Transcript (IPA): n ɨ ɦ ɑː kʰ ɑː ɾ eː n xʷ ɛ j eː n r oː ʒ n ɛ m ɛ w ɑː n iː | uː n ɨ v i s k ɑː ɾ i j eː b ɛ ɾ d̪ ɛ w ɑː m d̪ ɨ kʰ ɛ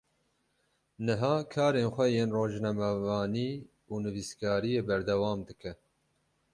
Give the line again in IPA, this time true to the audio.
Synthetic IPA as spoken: n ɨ ɦ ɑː kʰ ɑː ɾ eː n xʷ ɛ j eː n r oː ʒ n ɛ m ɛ v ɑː n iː | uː n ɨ v i s k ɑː ɾ i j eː b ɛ ɾ d̪ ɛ w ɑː m d̪ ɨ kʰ ɛ